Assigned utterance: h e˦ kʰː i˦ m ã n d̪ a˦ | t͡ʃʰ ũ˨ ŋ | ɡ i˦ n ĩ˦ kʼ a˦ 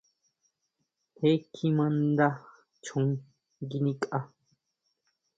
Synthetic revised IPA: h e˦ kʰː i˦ m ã n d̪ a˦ | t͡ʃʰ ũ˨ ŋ | ɡ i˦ n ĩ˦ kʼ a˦